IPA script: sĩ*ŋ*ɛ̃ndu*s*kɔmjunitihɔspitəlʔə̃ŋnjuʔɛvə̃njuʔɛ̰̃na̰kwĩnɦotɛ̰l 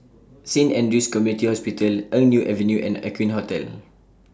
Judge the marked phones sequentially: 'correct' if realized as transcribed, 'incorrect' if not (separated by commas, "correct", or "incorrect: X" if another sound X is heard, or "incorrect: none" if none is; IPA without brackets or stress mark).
incorrect: n, correct